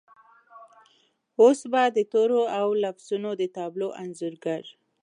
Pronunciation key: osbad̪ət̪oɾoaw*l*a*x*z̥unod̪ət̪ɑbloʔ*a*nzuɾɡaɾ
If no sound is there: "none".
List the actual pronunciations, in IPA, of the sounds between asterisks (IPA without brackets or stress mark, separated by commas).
l, f, a